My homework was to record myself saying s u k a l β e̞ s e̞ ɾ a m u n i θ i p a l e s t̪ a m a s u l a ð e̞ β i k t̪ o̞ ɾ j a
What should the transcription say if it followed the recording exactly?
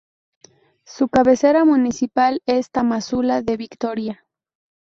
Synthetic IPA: s u k a β e̞ s e̞ ɾ a m u n i s i p a l e s t̪ a m a s u l a ð e̞ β i k t̪ o̞ ɾ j a